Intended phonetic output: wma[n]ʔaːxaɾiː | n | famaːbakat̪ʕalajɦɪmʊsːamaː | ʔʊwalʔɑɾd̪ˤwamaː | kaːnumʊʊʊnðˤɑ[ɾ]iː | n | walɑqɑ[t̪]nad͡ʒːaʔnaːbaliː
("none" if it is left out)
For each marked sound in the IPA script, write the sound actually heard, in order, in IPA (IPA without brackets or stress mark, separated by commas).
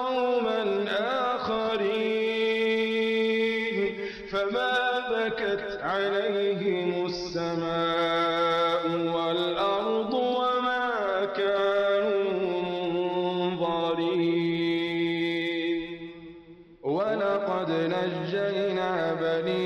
n, ɾ, d̪